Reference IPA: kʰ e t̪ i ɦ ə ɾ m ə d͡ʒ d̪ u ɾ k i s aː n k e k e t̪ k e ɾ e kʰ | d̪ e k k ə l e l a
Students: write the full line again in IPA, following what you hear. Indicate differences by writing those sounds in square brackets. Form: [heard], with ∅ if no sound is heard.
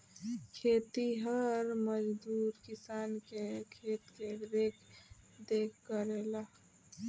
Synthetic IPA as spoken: kʰ e t̪ i ɦ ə ɾ m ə d͡ʒ d̪ u ɾ k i s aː n k e [kʰ] e t̪ k e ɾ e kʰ | d̪ e k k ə [ɾ] e l a